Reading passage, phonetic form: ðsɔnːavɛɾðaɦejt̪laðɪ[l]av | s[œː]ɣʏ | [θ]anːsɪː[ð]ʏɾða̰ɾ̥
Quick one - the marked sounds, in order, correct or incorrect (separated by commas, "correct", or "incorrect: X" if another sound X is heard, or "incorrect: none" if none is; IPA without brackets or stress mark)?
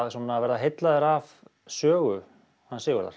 incorrect: ɾ, correct, incorrect: h, incorrect: ɣ